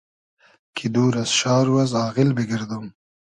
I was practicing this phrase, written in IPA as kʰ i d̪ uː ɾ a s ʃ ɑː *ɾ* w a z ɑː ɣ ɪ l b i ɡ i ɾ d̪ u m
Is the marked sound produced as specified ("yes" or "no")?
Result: yes